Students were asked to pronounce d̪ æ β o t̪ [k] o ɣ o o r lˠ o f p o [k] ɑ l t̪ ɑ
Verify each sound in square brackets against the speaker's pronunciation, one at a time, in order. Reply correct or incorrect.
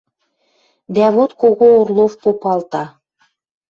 correct, incorrect: p

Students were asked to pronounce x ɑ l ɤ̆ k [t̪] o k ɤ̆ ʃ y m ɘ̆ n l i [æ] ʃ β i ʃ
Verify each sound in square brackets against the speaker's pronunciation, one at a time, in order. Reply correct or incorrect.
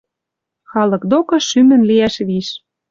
incorrect: d̪, correct

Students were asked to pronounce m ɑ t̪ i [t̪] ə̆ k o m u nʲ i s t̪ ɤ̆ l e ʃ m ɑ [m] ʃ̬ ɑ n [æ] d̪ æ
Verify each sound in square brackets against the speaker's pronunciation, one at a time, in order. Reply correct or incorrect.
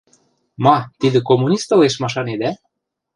incorrect: d̪, incorrect: none, incorrect: e

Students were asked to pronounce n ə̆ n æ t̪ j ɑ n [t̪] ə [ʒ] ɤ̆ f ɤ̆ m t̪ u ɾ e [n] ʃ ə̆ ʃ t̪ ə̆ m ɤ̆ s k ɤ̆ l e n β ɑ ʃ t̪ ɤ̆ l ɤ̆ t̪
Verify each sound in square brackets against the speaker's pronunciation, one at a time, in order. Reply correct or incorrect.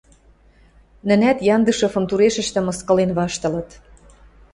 incorrect: d̪, incorrect: ʃ, incorrect: none

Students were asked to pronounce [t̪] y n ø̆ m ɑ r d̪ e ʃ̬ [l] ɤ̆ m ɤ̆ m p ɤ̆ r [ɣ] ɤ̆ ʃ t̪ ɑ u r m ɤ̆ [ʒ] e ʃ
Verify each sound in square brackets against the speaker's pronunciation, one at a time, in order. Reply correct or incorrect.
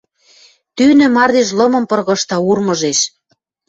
correct, correct, correct, correct

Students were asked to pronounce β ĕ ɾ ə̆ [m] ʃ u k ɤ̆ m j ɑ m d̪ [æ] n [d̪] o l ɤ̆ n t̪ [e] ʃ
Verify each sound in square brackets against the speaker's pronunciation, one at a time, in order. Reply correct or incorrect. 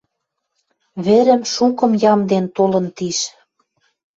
correct, incorrect: e, incorrect: t̪, incorrect: i

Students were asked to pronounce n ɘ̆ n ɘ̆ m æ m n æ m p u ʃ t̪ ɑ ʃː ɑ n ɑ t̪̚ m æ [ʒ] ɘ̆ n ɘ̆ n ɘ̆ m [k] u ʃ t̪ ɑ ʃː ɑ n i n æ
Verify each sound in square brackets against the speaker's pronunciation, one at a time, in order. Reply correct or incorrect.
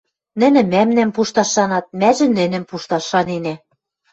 correct, incorrect: p

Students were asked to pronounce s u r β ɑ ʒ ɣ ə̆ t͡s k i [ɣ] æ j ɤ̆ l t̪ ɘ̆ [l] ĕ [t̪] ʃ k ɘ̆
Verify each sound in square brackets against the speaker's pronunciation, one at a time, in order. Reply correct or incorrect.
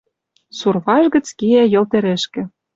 incorrect: none, incorrect: ɾ, incorrect: none

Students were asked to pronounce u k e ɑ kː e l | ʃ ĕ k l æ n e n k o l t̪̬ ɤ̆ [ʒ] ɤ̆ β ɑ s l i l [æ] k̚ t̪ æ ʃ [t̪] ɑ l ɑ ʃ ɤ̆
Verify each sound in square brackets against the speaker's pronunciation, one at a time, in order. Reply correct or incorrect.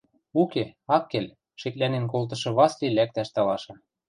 incorrect: ʃ, correct, correct

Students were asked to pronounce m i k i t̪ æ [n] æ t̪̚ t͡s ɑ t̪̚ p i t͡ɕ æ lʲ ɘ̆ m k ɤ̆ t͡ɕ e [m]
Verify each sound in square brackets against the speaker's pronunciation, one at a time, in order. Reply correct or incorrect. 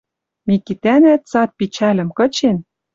correct, incorrect: n

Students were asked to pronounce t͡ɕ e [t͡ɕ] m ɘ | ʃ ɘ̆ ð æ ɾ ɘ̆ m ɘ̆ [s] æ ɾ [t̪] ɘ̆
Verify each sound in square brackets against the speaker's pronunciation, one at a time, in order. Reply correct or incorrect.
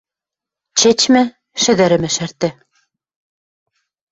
correct, incorrect: ʃ, correct

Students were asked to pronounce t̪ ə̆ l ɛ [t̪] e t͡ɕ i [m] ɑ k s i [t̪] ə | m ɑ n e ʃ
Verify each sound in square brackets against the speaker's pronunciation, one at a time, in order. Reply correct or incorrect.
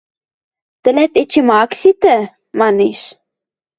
correct, correct, correct

